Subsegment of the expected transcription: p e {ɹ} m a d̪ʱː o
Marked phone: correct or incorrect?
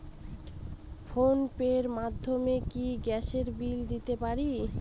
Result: incorrect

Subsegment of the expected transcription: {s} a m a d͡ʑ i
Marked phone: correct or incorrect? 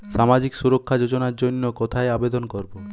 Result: incorrect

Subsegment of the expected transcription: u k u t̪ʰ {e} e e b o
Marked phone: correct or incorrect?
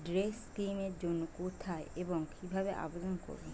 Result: incorrect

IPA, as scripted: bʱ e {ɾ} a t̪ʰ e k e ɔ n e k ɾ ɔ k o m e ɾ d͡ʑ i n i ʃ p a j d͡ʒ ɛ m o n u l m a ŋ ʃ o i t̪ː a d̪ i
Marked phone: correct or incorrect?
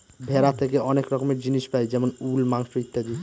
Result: correct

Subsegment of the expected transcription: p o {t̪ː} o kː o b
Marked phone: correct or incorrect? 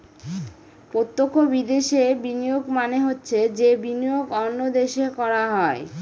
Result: correct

